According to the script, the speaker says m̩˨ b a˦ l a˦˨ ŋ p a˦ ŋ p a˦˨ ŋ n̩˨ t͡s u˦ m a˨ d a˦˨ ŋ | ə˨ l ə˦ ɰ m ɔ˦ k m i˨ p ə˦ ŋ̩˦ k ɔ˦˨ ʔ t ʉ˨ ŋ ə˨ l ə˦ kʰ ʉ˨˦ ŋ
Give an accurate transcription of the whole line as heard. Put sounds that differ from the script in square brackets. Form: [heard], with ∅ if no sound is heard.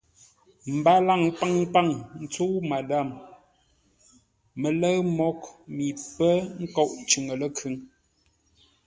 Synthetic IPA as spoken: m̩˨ b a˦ l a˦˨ ŋ p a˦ ŋ p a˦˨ ŋ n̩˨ t͡s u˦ m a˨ d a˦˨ [m] | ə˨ l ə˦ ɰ m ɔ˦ k m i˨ p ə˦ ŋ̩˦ k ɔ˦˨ ʔ [t͡ʃ] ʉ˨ ŋ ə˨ l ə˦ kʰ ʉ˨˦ ŋ